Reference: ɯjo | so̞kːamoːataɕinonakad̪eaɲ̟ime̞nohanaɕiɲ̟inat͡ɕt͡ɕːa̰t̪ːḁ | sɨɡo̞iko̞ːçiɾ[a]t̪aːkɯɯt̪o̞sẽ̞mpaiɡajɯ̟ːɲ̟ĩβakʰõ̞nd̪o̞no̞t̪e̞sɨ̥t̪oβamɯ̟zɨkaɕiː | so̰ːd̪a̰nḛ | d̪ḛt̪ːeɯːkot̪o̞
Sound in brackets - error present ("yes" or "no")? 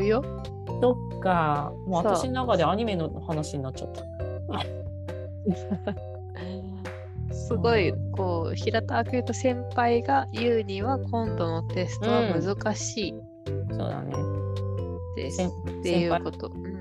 no